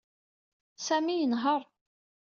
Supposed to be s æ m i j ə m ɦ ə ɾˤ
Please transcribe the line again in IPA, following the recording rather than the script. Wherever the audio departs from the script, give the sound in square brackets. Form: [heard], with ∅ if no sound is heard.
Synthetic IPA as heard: s æ m i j ə [n] ɦ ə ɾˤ